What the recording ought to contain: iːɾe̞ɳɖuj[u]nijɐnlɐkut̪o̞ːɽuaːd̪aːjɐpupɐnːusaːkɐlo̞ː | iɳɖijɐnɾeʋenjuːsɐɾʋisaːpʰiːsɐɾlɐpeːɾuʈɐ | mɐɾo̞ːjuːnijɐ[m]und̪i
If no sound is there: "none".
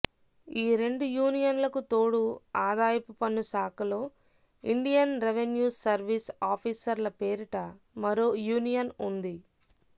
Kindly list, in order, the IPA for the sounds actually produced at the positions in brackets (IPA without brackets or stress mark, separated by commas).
uː, n